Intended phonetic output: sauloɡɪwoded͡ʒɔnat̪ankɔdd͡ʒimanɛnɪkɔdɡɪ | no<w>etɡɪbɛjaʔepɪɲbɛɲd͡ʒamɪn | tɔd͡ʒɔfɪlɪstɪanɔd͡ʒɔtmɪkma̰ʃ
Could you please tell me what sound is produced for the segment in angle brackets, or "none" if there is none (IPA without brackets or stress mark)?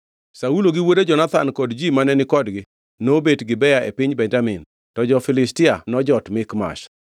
b